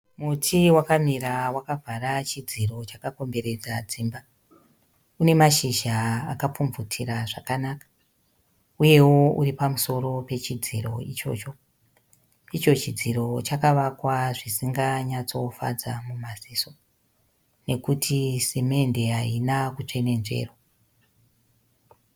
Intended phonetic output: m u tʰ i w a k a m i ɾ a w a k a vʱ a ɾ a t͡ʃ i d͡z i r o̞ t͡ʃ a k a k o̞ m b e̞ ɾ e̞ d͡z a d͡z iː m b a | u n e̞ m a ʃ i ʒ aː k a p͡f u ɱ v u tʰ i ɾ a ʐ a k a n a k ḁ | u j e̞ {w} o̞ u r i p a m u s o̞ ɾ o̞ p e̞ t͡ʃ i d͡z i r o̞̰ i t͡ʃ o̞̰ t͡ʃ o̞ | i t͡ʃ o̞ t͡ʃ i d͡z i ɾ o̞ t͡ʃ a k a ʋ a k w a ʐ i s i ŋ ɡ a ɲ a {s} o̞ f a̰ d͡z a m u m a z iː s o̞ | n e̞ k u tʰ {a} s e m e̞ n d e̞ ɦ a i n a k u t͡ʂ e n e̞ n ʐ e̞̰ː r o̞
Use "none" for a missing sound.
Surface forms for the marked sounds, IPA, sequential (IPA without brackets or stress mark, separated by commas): w, t͡s, i